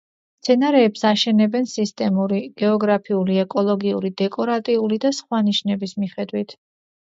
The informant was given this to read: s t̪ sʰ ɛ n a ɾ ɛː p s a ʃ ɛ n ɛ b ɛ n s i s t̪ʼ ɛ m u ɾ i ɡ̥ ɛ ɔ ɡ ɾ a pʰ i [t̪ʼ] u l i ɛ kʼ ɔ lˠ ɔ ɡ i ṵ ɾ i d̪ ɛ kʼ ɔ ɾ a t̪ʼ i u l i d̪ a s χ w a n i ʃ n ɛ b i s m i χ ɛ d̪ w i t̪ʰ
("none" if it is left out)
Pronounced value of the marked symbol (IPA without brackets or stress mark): none